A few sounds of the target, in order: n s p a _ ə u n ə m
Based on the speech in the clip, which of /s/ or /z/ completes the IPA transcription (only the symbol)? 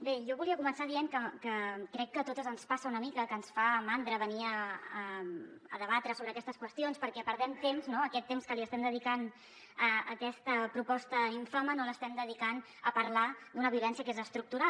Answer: s